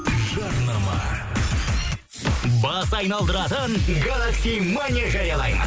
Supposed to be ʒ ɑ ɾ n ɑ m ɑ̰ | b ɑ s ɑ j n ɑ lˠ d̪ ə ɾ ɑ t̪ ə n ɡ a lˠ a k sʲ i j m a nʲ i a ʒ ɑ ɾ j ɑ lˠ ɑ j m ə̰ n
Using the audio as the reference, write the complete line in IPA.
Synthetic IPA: ʒ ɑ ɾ n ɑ m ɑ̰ | b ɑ s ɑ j n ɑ lˠ d̪ ə ɾ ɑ t̪ ə n ɡ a lˠ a k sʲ i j m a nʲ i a ʒ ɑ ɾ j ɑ lˠ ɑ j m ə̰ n